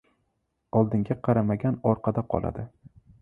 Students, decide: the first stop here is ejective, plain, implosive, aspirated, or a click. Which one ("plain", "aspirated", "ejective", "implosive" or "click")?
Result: plain